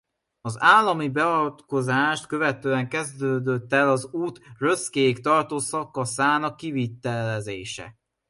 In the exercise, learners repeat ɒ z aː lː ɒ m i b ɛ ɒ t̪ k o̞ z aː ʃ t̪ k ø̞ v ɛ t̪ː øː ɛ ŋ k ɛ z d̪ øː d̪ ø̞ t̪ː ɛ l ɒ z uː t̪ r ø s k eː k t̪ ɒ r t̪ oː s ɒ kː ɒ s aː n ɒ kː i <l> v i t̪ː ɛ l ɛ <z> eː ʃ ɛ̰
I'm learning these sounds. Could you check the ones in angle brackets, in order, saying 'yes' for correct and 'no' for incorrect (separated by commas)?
no, yes